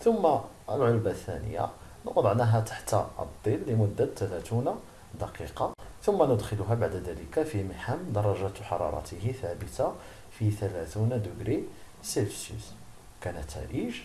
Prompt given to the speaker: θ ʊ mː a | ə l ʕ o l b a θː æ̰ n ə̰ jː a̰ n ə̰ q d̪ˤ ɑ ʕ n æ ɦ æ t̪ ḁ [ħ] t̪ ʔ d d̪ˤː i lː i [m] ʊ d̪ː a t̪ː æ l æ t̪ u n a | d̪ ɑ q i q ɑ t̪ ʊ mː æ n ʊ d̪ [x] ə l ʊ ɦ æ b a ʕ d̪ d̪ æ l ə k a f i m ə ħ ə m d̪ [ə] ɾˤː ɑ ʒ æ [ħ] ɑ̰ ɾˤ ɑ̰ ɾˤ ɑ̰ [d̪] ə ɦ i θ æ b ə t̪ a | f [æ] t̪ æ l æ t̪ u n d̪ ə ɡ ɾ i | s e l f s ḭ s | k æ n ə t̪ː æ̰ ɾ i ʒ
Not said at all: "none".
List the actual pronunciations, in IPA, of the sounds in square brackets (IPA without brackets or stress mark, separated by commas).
ħ, m, x, ɑ, ħ, t̪, i